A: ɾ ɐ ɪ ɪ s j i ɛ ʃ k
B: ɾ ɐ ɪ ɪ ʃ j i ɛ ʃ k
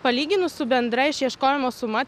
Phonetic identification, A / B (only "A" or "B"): B